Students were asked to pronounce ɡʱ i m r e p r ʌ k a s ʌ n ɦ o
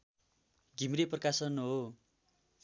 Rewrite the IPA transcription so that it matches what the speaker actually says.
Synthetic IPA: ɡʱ i m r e p r ʌ k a s ʌ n ɦ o